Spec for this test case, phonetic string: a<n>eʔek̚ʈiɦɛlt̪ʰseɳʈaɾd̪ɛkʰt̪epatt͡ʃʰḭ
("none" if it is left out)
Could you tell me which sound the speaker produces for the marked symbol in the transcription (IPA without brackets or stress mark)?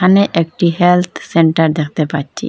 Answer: n